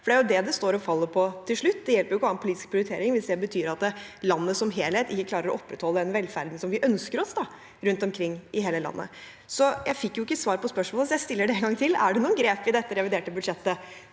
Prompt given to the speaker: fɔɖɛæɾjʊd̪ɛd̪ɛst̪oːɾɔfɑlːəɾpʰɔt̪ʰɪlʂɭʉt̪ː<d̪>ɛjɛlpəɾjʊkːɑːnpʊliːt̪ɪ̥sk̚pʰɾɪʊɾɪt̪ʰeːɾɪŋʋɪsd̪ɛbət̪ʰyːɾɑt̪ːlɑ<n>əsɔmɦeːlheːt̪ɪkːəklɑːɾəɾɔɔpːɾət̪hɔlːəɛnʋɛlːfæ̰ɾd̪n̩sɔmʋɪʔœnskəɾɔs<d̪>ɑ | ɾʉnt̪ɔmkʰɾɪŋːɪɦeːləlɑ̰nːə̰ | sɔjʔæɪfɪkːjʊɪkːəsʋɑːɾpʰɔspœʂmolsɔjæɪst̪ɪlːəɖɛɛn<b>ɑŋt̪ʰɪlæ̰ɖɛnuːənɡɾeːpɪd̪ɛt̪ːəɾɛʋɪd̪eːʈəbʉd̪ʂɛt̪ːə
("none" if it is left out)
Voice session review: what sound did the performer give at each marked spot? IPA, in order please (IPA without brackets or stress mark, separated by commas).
d̪, nː, d̪, ɡ